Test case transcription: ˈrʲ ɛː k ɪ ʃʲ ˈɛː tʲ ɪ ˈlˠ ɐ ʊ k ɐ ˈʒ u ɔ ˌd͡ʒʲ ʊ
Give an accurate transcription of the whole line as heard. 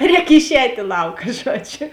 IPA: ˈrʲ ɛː k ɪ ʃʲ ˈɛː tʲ ɪ ˈlˠ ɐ ʊ k ɐ ˈʒ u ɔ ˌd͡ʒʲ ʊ